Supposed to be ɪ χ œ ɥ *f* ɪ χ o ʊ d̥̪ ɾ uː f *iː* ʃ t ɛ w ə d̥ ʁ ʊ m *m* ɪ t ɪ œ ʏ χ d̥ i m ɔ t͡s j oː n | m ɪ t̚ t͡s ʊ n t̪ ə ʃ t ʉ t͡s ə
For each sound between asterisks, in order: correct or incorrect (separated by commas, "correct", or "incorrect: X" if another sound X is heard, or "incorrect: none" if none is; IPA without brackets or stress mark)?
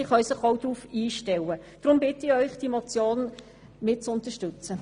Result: incorrect: s, correct, incorrect: b